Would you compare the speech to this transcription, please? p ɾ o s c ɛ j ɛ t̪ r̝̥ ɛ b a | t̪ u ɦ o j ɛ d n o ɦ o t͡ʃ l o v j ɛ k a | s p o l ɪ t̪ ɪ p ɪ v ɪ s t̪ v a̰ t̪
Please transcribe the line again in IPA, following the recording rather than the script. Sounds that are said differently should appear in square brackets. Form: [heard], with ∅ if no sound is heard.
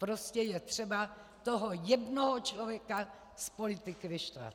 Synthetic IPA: p ɾ o s c ɛ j ɛ t̪ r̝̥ ɛ b a | t̪ [o] ɦ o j ɛ d n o ɦ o t͡ʃ l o v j ɛ k a | s p o l ɪ t̪ ɪ [k] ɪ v ɪ [ʃ] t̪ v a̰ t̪